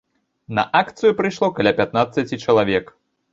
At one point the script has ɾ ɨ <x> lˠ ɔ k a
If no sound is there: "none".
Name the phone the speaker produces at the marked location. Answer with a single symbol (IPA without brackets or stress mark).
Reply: ʂ